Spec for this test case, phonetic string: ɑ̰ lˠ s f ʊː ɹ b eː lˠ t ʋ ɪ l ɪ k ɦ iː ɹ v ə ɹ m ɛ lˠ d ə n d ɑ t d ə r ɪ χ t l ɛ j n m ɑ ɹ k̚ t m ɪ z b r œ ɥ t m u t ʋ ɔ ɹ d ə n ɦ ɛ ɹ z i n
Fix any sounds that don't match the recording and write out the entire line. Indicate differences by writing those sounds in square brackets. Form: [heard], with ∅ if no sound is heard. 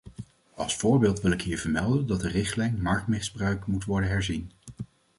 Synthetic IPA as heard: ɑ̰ lˠ s f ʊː ɹ b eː lˠ t ʋ ɪ l ɪ k ɦ iː ɹ v ə ɹ m ɛ lˠ d ə n d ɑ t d ə r ɪ χ t l ɛ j n m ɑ ɹ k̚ t m ɪ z b r œ ɥ [k] m u t ʋ ɔ ɹ d ə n ɦ ɛ ɹ z i n